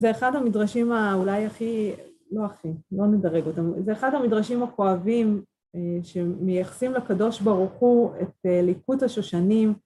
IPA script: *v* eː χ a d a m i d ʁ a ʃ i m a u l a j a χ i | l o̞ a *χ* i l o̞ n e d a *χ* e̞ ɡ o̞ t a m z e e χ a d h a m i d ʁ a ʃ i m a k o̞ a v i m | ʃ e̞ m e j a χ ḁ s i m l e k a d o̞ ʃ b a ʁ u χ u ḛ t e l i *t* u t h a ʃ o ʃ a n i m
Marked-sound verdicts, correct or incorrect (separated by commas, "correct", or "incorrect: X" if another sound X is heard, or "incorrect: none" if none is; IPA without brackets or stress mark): incorrect: z, correct, incorrect: ʁ, incorrect: k